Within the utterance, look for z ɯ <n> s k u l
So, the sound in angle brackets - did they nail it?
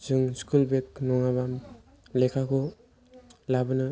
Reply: no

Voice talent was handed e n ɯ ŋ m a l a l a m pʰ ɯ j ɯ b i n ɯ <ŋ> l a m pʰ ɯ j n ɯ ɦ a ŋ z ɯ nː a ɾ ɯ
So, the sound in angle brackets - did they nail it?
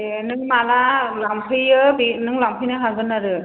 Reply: yes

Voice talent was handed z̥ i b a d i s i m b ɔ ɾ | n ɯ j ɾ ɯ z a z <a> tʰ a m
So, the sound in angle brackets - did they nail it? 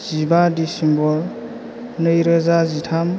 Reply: no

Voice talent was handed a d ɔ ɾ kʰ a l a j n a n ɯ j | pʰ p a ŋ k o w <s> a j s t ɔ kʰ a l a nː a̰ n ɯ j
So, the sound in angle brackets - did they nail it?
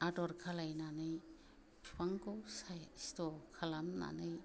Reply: yes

